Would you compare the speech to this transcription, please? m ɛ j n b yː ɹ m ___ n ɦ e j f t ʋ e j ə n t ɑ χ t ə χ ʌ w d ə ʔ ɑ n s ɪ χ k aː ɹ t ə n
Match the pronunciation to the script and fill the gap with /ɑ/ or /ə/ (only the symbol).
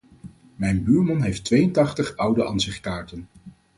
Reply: ɑ